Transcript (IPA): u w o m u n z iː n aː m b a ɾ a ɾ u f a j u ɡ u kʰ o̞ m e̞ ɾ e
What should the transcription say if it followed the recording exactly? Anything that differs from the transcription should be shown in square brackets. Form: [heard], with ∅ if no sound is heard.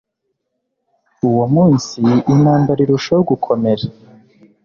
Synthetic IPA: u w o m [uː] n [s] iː n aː m b a ɾ [i] ɾ u [ʃ] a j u ɡ u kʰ o̞ m e̞ ɾ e